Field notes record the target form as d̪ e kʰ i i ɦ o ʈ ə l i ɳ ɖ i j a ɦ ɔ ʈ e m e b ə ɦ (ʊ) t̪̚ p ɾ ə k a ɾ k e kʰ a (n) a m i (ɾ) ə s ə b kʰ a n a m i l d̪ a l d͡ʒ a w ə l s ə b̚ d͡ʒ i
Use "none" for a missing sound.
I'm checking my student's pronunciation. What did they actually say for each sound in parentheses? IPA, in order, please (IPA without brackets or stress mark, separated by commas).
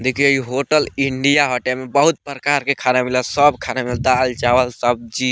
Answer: u, n, l